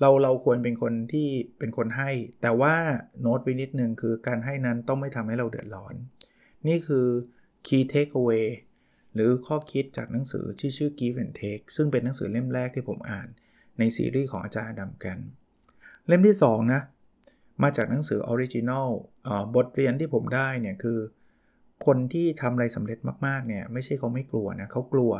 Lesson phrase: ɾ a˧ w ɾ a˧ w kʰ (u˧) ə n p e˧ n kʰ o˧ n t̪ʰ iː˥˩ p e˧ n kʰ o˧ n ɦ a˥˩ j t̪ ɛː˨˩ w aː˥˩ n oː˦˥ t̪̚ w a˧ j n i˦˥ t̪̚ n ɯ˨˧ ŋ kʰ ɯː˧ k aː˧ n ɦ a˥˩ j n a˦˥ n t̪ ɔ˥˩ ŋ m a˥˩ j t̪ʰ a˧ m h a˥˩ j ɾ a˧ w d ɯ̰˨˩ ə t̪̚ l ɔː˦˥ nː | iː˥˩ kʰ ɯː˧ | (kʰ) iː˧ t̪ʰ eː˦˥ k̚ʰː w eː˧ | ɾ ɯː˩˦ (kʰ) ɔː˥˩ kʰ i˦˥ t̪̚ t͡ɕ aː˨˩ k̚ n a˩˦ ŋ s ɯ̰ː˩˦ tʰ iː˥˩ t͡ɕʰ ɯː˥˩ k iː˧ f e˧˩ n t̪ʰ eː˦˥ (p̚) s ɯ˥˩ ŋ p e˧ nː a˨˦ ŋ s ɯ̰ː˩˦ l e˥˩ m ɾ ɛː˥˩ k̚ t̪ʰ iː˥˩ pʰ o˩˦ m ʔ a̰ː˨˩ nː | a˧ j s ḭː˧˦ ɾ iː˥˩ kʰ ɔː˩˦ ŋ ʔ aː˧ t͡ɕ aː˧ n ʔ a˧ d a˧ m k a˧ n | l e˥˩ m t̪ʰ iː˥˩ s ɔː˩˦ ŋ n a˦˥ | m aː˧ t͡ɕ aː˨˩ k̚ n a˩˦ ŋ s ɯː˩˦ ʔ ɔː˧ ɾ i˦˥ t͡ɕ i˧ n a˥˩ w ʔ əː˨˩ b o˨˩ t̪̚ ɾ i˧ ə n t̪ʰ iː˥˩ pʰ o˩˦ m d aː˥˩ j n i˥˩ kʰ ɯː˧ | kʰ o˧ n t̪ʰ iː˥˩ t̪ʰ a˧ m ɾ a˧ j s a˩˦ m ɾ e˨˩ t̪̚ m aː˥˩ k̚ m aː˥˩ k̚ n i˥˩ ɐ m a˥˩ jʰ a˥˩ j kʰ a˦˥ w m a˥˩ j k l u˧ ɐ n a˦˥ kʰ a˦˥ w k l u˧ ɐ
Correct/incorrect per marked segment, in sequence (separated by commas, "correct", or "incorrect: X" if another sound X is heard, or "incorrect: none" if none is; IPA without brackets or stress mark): correct, correct, correct, incorrect: k̚